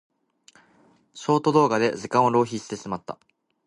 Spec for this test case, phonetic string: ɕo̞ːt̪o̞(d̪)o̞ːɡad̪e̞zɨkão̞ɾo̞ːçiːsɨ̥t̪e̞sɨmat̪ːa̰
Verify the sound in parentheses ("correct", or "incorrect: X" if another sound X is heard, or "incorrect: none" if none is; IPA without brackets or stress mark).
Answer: correct